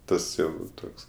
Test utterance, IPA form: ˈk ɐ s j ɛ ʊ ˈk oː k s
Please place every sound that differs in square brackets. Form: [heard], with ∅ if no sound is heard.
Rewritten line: [ˈt] ɐ s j ɛ ʊ [ˈt] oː k s